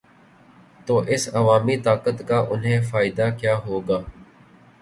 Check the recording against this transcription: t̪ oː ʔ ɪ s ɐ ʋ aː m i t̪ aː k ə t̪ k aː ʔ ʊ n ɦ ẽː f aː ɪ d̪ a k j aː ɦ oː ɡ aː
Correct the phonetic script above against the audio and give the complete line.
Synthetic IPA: t̪ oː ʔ ɪ s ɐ ʋ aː m i t̪ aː k ə t̪ k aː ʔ ʊ n ɦ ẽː f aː ɪ d̪ a k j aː ɦ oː ɡ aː

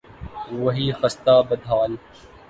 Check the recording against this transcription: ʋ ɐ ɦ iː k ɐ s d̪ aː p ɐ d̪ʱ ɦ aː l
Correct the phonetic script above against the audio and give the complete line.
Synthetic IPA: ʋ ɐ ɦ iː x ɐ s t̪ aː b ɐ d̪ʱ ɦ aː l

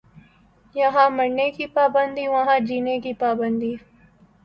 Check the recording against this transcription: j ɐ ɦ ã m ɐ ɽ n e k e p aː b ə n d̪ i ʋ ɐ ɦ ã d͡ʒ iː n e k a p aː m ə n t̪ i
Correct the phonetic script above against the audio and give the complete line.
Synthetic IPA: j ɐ ɦ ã m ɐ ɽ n e k i p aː b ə n d̪ i ʋ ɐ ɦ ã d͡ʒ iː n e k i p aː b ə n d̪ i

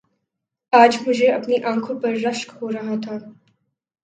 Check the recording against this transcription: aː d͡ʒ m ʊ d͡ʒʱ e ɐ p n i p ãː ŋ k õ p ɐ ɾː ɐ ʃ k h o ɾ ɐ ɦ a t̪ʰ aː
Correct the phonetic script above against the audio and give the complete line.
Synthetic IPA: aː d͡ʒ m ʊ d͡ʒʱ e ɐ p n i ʔ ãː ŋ kʰ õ p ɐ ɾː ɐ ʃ k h o ɾ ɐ ɦ a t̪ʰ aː

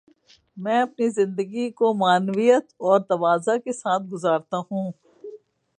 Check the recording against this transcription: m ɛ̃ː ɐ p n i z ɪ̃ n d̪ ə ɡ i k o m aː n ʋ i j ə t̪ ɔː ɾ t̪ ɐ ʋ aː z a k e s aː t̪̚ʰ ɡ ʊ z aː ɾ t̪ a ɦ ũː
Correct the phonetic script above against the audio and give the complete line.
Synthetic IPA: m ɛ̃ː ɐ p n i z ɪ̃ n d̪ ə ɡ i k o m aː n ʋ i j ə t̪ ɔː ɾ t̪ ɐ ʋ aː z a k e s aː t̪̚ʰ ɡ ʊ z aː ɾ t̪ a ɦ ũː

